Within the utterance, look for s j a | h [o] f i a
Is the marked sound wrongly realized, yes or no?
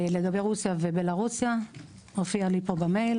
no